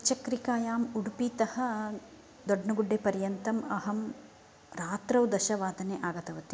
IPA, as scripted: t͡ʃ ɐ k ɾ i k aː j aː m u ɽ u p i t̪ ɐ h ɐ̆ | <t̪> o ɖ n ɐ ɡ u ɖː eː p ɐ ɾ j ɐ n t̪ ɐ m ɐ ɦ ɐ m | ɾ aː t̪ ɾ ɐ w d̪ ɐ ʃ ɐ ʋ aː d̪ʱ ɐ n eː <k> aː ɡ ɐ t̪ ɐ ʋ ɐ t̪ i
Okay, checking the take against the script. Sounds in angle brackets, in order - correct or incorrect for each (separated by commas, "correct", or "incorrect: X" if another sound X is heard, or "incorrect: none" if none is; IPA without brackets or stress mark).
incorrect: d̪, incorrect: ʔ